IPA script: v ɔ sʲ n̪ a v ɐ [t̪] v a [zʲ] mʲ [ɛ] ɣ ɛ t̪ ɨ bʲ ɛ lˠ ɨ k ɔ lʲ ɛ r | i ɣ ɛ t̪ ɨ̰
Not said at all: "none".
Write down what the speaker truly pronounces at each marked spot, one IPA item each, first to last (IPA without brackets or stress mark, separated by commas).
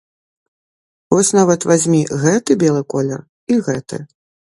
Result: t̪, zʲ, i